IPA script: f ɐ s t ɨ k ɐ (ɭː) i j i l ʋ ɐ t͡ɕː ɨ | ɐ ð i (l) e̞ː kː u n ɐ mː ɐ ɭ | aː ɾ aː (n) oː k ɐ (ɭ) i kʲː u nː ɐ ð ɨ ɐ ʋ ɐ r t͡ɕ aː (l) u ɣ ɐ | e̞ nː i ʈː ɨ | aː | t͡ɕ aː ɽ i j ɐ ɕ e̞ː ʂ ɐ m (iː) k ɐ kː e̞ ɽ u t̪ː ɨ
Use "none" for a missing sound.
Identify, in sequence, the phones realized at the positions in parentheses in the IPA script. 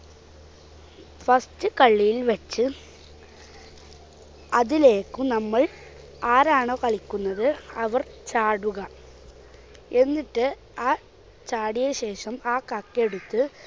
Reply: ɭː, l, ɳ, ɭ, ɽ, aː

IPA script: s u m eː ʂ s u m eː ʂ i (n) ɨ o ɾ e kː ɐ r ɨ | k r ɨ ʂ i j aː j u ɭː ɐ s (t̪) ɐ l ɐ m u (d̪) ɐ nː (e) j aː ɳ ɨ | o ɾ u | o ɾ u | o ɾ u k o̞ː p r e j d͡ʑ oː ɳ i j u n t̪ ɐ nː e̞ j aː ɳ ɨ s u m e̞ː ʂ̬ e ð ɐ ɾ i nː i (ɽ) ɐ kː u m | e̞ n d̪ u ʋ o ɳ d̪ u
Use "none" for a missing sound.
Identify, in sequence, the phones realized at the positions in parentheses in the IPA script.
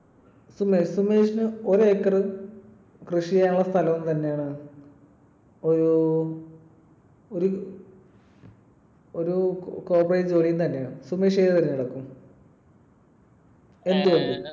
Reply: n, t̪ʰ, t̪, e, ɽ

